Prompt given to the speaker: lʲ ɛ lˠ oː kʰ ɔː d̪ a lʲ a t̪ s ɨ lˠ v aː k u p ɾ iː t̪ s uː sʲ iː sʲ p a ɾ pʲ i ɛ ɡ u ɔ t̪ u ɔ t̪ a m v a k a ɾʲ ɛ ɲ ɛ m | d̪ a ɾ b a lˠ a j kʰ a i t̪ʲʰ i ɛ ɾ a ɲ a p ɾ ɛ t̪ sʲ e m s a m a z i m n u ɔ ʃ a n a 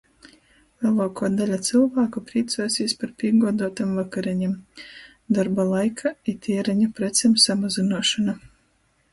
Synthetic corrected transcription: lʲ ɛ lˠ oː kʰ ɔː d̪ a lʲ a t̪ s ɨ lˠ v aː k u p ɾ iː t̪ s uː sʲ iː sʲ p a ɾ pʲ i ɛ ɡ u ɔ d̪ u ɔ t̪ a m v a k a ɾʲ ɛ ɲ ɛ m | d̪ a ɾ b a lˠ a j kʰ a i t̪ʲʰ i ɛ ɾ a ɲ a p ɾ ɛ t̪ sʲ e m s a m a z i n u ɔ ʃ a n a